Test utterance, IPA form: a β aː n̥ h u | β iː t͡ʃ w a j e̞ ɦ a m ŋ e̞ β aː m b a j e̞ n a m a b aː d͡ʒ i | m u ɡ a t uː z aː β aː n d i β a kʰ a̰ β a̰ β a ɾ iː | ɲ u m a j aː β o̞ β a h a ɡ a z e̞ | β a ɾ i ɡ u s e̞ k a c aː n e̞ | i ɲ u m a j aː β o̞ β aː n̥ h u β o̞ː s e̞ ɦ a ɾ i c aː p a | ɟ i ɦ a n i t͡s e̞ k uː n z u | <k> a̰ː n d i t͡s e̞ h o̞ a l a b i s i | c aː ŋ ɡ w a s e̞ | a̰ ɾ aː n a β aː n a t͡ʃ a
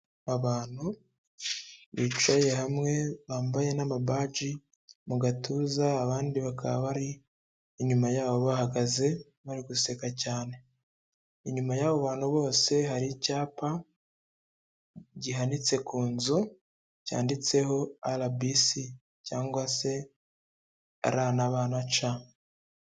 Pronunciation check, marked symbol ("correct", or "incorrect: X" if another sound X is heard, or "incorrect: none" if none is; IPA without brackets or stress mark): incorrect: c